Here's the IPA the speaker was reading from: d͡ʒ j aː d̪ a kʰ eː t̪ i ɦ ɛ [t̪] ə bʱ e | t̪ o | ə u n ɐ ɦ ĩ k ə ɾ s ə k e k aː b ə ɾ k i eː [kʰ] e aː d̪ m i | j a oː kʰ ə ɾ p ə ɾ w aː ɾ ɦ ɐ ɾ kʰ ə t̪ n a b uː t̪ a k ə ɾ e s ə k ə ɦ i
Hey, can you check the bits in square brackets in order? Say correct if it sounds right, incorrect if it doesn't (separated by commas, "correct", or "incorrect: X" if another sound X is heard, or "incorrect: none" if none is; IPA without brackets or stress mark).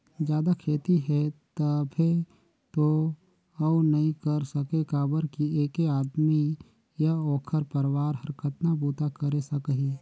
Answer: correct, incorrect: k